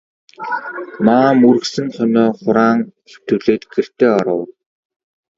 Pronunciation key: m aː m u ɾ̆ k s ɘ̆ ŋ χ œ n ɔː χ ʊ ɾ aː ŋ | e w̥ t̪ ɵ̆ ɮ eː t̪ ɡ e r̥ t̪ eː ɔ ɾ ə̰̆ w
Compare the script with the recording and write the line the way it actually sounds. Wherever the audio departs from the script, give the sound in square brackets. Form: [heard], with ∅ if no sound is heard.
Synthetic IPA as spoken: m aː m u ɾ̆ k s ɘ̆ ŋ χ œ n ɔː χ ʊ ɾ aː ŋ | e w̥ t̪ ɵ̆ ɮ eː t̪ ɡ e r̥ t̪ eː ɔ ɾ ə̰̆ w